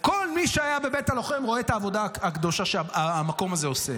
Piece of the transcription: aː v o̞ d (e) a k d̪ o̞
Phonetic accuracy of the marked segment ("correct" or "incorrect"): incorrect